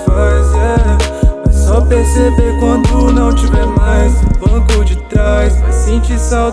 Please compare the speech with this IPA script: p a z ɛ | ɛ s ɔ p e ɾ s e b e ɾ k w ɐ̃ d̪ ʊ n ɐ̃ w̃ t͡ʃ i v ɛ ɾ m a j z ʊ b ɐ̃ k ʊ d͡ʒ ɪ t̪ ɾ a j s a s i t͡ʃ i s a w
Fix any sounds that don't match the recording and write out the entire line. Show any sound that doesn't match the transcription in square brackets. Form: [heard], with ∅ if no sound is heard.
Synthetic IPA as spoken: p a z ɛ | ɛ s ɔ p e ɾ s e b e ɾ k w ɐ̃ d̪ ʊ n ɐ̃ w̃ t͡ʃ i v ɛ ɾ m a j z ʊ b ɐ̃ k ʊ d͡ʒ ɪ t̪ ɾ a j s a s [ĩ] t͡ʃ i s a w